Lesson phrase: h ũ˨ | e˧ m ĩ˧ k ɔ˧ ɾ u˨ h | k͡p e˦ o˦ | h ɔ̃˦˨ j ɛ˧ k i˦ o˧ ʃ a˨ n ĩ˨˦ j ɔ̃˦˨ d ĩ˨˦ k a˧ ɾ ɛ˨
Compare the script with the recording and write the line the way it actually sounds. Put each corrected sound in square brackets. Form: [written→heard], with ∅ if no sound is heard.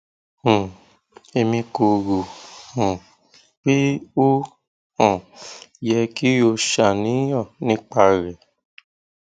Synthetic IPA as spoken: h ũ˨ | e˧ m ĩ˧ k [ɔ˧→o˧] ɾ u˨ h | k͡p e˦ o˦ | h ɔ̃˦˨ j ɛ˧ k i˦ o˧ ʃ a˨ n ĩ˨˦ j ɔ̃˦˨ [d→n] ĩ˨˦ [k→k͡p] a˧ ɾ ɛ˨

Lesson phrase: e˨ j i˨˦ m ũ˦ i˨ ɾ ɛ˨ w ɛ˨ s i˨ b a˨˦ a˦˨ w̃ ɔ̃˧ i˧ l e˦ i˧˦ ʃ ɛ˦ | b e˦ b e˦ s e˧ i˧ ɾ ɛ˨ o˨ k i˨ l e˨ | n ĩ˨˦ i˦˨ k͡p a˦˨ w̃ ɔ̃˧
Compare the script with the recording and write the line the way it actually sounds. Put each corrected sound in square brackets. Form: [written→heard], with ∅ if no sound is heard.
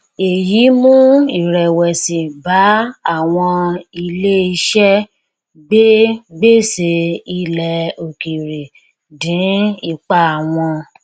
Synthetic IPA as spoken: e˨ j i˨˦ m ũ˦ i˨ ɾ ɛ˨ w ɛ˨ s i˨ b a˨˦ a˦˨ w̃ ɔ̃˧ i˧ l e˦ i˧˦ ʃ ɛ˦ | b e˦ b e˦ s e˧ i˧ [ɾ→l] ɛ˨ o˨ k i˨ [l→ɾ] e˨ | [n→d] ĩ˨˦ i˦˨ k͡p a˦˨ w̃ ɔ̃˧

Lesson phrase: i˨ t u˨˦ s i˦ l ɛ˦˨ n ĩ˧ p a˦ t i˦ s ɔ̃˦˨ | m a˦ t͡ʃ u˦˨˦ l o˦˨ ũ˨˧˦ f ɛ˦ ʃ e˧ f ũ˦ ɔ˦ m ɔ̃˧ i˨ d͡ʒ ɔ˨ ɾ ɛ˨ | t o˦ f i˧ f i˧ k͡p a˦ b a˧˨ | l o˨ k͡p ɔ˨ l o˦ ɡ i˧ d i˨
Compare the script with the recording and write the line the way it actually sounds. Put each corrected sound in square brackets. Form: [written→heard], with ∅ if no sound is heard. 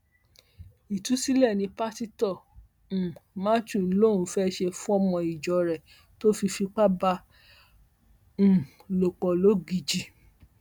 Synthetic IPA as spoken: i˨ t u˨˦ s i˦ l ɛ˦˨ n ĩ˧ p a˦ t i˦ [s→t] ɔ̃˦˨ | m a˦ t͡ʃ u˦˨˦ l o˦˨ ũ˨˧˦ f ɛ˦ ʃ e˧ f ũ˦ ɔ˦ m ɔ̃˧ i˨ d͡ʒ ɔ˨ ɾ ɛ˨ | t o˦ f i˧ f i˧ k͡p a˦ b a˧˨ | l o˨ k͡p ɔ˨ l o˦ ɡ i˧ [d→d͡ʒ] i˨

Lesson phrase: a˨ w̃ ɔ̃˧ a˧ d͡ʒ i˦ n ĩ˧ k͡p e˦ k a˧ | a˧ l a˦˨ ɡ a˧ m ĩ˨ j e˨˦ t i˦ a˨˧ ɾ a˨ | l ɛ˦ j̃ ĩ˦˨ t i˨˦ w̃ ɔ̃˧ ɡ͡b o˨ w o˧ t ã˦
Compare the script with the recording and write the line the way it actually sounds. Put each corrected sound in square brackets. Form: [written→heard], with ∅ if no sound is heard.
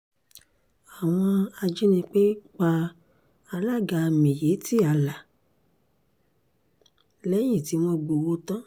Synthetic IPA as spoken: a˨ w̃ ɔ̃˧ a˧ d͡ʒ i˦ n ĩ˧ k͡p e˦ [k→k͡p] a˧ | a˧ l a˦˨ ɡ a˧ m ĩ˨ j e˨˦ t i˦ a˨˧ [ɾ→l] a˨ | l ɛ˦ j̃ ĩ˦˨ t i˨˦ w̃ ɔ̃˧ ɡ͡b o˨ w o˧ t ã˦

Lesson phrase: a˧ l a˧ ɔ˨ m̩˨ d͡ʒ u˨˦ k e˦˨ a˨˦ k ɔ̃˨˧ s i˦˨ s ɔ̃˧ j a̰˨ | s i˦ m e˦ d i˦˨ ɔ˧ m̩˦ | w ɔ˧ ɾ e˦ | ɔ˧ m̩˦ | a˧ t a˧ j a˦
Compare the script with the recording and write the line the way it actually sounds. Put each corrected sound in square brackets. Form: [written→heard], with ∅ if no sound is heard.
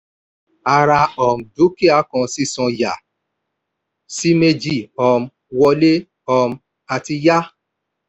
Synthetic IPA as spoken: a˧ [l→ɾ] a˧ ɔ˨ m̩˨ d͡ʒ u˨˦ k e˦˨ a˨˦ k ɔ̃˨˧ s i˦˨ s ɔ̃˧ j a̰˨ | s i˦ m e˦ [d→d͡ʒ] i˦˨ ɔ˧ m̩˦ | w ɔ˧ [ɾ→l] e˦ | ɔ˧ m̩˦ | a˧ t [a˧→i˧] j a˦

